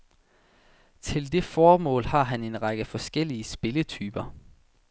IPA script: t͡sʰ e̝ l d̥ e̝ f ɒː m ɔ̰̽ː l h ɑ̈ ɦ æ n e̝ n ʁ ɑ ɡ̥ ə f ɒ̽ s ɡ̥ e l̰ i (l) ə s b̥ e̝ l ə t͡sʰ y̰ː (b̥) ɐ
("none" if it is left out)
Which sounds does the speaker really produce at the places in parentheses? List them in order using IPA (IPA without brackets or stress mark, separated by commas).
none, b̥